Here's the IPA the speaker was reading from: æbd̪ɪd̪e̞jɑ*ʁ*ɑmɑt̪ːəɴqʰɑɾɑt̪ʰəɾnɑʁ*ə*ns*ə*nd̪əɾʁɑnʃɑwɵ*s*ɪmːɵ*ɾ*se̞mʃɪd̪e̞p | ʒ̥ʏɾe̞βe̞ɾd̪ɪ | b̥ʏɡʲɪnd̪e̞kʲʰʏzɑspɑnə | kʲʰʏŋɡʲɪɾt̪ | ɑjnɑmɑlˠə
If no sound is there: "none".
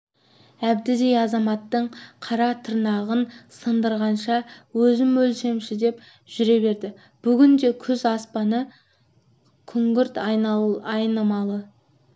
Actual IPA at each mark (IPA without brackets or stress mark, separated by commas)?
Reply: z, ə, ə, z, l